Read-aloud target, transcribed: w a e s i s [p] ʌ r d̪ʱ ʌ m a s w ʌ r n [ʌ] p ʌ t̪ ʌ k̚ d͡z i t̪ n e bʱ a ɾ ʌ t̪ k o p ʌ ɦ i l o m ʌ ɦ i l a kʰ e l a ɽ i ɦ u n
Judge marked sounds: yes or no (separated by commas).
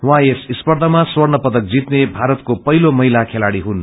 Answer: yes, yes